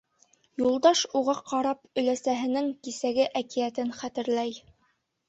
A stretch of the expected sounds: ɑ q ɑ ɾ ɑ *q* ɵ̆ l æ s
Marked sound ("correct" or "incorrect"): incorrect